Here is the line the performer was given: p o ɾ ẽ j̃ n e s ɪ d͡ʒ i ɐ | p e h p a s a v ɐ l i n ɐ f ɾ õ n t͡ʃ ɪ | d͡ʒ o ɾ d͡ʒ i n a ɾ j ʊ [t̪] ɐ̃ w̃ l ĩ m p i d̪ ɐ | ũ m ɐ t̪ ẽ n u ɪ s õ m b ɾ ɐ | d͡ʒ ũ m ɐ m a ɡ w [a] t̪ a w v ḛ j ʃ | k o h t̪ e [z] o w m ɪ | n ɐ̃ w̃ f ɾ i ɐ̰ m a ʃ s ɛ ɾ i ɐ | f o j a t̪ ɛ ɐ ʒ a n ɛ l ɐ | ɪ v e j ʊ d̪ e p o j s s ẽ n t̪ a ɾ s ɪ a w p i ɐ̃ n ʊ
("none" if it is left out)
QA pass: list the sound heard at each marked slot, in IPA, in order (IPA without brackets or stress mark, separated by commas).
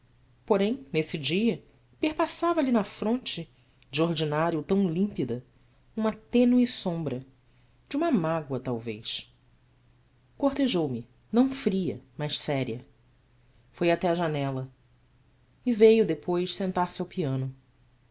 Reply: t̪, ɐ, ʒ